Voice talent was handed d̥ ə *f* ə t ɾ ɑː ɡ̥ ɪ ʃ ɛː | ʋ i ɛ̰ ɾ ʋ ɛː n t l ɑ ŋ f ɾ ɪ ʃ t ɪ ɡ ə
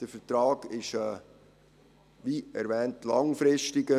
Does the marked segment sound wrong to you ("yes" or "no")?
no